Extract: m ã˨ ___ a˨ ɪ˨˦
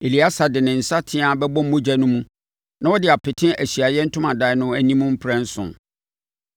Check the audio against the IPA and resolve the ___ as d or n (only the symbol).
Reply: d